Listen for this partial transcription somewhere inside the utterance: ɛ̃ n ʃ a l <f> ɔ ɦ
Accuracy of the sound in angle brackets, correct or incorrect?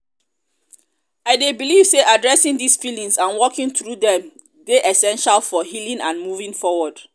correct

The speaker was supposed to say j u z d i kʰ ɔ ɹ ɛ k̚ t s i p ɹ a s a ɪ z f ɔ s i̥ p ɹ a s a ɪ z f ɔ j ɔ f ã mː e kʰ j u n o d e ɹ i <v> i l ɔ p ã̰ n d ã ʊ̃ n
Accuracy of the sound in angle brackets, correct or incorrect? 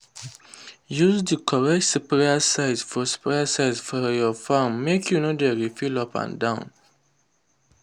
incorrect: f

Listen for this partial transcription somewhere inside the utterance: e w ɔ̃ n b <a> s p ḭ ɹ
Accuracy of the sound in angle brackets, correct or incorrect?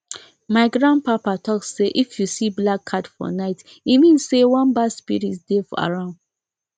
correct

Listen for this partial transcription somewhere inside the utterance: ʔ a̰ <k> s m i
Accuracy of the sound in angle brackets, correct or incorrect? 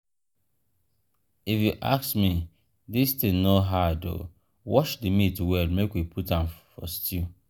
correct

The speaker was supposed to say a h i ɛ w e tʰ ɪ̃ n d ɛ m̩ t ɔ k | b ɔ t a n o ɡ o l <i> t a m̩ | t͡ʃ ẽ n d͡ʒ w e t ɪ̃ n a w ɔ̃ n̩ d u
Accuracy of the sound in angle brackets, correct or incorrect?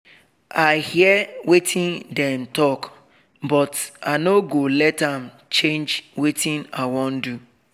incorrect: ɛ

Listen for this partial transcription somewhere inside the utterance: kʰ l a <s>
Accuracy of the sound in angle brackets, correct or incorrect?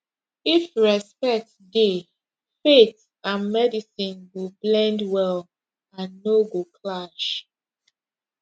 incorrect: ʃ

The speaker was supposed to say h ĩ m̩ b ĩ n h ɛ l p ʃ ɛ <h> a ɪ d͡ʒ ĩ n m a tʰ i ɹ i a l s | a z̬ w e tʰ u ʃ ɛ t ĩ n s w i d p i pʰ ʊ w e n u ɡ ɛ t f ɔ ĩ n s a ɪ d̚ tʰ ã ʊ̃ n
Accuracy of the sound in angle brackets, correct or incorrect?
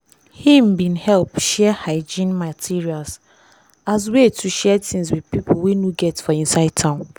correct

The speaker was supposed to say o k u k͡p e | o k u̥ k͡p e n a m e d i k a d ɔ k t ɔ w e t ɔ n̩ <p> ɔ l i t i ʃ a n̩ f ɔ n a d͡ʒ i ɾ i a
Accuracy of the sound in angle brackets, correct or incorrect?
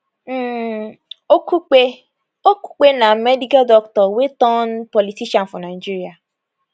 correct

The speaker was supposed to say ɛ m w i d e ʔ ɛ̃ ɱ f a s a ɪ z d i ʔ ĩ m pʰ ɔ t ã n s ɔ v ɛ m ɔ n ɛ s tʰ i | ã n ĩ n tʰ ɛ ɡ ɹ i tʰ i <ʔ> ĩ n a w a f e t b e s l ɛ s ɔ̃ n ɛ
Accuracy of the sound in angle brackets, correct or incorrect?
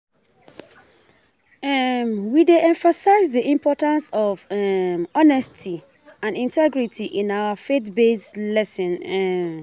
correct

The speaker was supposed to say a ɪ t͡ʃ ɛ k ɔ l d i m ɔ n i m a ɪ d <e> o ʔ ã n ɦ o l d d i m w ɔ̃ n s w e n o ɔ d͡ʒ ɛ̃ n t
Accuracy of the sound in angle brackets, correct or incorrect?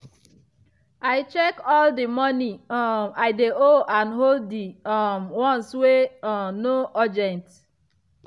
correct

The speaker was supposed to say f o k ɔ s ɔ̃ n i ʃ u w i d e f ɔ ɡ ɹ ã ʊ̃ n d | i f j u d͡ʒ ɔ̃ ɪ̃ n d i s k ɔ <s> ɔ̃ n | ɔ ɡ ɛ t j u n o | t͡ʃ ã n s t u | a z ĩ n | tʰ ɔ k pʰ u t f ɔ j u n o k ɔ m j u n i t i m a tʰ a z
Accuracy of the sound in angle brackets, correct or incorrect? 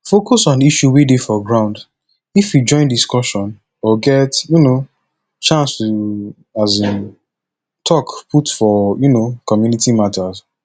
incorrect: ʃ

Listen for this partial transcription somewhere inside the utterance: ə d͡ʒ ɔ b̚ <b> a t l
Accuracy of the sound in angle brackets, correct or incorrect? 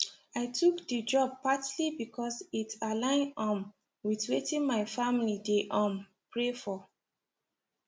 incorrect: p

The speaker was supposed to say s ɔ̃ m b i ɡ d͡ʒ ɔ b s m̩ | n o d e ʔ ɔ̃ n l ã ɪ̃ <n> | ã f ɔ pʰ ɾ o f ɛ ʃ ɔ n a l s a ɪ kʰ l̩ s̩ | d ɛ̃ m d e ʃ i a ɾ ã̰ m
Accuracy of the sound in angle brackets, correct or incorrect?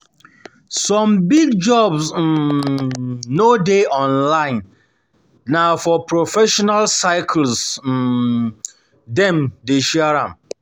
incorrect: nː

